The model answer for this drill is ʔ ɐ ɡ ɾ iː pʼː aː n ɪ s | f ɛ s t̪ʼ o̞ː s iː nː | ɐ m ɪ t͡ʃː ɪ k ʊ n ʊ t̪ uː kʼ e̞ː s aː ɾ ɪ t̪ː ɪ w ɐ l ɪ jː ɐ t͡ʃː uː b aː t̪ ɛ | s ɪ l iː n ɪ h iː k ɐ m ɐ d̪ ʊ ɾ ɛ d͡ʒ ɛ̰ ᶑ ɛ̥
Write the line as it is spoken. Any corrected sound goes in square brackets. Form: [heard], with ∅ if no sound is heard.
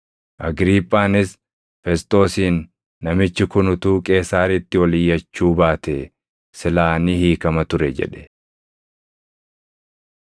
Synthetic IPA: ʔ ɐ ɡ ɾ iː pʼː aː n ɪ s | f ɛ s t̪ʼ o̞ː s iː nː | ɐ m ɪ t͡ʃː ɪ k ʊ n ʊ t̪ uː kʼ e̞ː s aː ɾ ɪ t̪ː ɪ w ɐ l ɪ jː ɐ t͡ʃː uː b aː t̪ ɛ | s ɪ l [aː] n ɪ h iː k ɐ m ɐ [t̪] ʊ ɾ ɛ d͡ʒ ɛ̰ ᶑ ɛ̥